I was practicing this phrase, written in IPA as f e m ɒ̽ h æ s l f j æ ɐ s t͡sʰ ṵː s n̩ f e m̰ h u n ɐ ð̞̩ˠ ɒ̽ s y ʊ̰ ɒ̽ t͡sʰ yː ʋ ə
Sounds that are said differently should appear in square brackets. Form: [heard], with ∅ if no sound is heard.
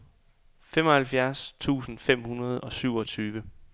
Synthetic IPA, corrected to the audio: f e m ɒ̽ h æ [∅] l f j æ ɐ s t͡sʰ ṵː s n̩ f e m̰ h u n ɐ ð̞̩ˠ ɒ̽ s y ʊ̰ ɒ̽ t͡sʰ yː ʋ ə